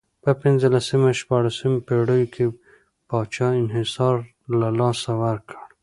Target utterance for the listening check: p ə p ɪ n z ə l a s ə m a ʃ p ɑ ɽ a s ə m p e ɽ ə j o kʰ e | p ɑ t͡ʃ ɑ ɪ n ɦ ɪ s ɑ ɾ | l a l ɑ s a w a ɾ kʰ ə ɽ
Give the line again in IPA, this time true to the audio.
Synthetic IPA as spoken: p ə p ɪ n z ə l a s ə m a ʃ p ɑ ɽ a s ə m p e ɽ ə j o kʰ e | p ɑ t͡ʃ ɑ ɪ n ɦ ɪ s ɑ ɾ | l a l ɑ s a w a ɾ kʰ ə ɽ